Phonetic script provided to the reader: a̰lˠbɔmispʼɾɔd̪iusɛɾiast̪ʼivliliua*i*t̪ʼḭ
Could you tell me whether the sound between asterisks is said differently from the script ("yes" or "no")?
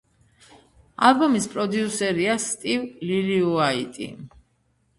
no